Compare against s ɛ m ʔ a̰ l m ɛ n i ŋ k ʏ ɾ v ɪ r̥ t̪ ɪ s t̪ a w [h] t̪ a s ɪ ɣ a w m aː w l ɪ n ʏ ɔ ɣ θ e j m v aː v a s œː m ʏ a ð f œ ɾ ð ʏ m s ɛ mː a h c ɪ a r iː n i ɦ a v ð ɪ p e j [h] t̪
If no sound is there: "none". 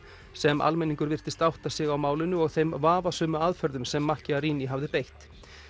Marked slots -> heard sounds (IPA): h, h

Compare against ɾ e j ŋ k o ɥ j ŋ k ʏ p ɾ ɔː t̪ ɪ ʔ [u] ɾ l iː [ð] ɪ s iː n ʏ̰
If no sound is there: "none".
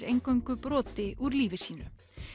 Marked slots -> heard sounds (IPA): u, v

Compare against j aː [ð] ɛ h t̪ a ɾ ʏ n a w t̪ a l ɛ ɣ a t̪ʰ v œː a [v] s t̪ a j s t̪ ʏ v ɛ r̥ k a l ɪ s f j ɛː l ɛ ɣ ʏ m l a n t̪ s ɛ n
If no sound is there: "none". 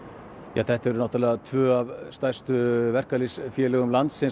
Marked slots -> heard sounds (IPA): θ, v

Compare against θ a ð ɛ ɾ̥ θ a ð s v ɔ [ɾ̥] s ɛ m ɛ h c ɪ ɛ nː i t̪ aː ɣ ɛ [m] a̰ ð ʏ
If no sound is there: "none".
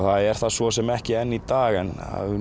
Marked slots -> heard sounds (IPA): none, n

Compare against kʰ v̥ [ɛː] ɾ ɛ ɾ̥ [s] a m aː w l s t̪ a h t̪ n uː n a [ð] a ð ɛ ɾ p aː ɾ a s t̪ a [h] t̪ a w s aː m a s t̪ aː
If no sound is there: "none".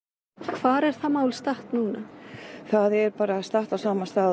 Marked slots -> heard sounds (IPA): aː, θ, θ, h

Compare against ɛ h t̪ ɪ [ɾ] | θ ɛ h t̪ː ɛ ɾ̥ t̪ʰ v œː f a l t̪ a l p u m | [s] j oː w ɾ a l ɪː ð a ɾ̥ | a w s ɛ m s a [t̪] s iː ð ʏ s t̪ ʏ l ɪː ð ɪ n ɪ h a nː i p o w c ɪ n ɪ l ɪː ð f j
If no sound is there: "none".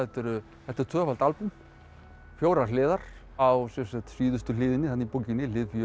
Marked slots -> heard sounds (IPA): ɾ, f, t̪

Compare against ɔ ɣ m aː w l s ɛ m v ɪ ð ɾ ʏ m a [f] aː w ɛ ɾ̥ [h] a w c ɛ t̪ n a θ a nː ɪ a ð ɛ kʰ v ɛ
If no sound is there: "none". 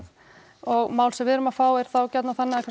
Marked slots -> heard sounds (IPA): f, θ

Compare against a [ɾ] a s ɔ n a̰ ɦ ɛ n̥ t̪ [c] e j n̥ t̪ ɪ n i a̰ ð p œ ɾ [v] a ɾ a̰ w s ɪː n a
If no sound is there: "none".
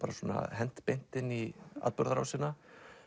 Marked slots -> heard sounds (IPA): ɾ, p, ð

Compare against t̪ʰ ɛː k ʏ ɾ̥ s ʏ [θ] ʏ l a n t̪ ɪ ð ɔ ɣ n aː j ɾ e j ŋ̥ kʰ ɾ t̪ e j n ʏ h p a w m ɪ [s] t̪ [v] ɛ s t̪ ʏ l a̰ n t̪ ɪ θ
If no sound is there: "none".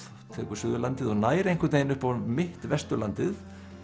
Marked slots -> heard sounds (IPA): ð, h, v

